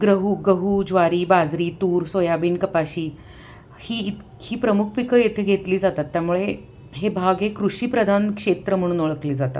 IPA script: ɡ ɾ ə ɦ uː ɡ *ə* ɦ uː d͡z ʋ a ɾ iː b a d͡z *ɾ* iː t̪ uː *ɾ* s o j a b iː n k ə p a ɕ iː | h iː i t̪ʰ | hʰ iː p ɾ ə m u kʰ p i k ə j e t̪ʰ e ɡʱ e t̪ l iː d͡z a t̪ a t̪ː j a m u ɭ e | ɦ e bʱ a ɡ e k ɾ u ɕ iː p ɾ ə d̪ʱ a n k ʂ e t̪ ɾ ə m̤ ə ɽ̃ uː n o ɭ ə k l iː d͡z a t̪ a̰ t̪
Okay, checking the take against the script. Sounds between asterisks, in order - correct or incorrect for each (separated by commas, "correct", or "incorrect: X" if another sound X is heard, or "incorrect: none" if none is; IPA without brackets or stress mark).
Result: correct, correct, correct